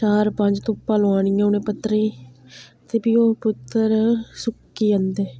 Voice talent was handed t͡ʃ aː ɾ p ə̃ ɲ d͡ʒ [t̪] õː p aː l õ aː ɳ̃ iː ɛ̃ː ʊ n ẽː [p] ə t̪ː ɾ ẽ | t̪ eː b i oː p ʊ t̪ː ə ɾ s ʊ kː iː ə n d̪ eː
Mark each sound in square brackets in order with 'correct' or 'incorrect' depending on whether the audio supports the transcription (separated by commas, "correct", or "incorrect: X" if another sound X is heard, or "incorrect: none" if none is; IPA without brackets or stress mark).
correct, correct